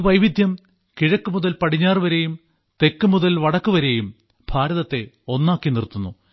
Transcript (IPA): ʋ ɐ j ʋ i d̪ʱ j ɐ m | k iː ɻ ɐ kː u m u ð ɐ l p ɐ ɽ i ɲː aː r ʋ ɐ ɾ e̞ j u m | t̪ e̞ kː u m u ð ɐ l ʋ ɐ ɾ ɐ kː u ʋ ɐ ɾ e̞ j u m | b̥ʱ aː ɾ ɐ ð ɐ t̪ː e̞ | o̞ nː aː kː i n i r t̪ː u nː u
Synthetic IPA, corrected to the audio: ʋ ɐ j ʋ i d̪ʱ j ɐ m | k i ɻ ɐ kː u m u ð ɐ l p ɐ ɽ i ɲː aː r ʋ ɐ ɾ e̞ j u m | t̪ e̞ kː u m u ð ɐ l ʋ ɐ ɽ ɐ kː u ʋ ɐ ɾ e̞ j u m | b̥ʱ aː ɾ ɐ ð ɐ t̪ː e̞ | o̞ nː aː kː i n i r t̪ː u nː u